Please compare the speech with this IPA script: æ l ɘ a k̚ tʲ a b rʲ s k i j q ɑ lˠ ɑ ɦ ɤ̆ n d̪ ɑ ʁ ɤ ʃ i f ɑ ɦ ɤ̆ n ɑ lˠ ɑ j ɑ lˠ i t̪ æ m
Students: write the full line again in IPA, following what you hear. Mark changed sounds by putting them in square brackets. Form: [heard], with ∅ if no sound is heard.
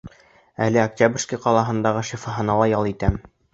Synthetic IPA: æ l ɘ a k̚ tʲ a b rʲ s k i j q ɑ lˠ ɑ ɦ ɤ̆ n d̪ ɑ ʁ ɤ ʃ i f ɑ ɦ ɤ̆ n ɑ lˠ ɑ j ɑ lˠ i t̪ æ m